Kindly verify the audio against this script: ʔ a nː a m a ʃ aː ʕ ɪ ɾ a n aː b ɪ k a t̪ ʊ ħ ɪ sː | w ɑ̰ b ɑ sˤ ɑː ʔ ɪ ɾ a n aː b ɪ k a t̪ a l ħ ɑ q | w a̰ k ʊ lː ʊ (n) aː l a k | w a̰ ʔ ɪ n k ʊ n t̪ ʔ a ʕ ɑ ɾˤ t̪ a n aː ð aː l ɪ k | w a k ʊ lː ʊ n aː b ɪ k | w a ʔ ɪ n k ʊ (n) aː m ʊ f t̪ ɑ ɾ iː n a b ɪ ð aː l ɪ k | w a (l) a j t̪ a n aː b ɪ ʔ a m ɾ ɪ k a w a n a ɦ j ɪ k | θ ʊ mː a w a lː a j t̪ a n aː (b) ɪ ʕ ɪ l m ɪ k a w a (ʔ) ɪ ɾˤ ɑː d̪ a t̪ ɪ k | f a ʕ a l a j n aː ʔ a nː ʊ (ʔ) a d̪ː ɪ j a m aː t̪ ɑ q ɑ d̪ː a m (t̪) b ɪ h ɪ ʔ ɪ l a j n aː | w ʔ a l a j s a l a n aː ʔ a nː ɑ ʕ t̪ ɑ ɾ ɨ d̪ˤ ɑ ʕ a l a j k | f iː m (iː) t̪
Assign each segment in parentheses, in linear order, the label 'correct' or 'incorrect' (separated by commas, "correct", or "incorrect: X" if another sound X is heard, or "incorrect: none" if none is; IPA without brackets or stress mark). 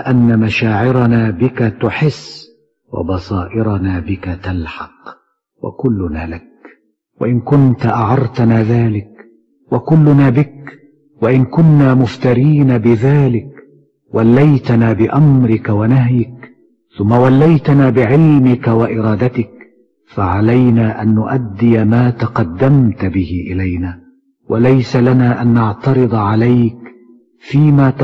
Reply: correct, incorrect: nː, incorrect: lː, correct, correct, correct, correct, incorrect: aː